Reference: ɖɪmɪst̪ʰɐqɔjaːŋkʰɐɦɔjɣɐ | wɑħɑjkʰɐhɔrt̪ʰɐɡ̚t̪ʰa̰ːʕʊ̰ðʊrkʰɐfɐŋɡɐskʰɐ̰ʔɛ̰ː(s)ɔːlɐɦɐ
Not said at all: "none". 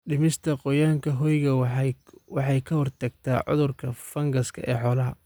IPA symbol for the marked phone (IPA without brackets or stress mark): ħ